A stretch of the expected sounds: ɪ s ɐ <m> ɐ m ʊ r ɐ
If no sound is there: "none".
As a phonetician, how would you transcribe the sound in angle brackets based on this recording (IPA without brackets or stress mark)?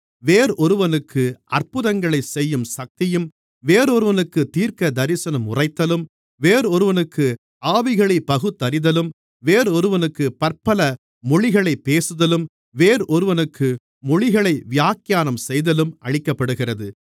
n